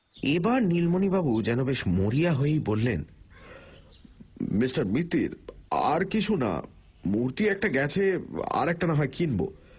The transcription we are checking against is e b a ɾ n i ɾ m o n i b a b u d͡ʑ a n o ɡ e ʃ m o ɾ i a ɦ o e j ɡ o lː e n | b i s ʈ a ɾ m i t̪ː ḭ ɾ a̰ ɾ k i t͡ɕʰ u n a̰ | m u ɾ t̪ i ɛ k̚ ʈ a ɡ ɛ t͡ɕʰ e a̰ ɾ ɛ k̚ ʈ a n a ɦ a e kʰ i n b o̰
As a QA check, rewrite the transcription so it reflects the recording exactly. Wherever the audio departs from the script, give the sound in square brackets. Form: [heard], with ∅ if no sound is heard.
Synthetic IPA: e b a ɾ n i [l] m o n i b a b u d͡ʑ [ɛ] n o [b] e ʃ m o ɾ i a ɦ o e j [b] o lː e n | [m] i s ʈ a ɾ m i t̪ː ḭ ɾ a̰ ɾ k i t͡ɕʰ u n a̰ | m u ɾ t̪ i ɛ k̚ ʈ a ɡ ɛ t͡ɕʰ e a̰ ɾ ɛ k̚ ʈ a n a ɦ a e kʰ i n b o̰